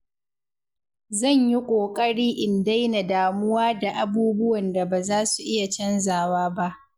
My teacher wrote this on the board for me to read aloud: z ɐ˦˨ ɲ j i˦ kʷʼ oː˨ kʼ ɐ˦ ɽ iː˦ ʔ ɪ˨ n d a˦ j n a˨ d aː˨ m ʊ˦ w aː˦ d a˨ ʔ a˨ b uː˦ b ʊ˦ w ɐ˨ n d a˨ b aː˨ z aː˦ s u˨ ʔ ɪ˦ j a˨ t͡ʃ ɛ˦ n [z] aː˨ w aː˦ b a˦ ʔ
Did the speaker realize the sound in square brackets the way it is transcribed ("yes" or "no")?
yes